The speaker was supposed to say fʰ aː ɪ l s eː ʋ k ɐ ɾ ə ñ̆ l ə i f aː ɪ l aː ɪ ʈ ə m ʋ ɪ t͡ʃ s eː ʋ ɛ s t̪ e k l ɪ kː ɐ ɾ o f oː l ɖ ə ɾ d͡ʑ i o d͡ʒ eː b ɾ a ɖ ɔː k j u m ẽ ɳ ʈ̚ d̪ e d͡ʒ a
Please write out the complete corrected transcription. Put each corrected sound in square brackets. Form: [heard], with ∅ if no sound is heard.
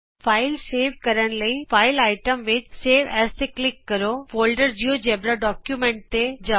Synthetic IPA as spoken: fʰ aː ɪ l s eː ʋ k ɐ ɾ ə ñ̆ l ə i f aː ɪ l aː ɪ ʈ ə m ʋ ɪ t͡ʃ s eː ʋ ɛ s t̪ e k l ɪ kː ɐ ɾ o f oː l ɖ ə ɾ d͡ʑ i o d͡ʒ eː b ɾ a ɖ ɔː k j u m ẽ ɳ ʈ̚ [t̪] e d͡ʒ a